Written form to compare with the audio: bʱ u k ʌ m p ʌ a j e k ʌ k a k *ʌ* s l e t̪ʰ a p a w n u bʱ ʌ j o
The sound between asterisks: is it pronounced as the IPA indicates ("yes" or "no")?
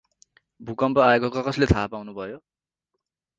yes